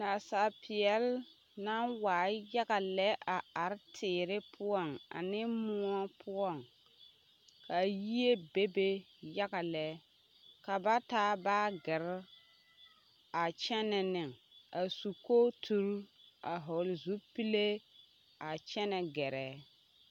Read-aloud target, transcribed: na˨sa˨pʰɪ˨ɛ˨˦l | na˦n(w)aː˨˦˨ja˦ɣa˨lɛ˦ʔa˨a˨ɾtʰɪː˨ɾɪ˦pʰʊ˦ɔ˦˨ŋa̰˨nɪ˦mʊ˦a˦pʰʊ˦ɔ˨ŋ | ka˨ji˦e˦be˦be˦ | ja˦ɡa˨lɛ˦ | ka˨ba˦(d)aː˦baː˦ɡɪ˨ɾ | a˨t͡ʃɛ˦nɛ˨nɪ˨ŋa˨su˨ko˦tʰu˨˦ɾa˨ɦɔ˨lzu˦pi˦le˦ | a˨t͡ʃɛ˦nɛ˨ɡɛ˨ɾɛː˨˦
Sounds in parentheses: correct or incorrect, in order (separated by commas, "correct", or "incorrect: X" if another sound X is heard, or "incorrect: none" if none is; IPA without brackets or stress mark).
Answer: correct, incorrect: t